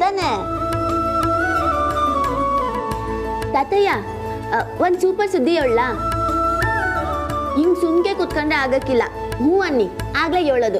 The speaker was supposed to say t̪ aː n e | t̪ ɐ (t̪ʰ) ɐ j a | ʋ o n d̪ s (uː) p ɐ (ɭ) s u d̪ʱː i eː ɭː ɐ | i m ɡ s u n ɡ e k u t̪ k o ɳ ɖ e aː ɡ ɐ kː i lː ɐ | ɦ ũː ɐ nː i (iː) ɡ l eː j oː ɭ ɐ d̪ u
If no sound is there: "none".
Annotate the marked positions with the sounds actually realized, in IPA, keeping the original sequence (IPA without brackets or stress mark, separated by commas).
t̪, uː, ɾ, aː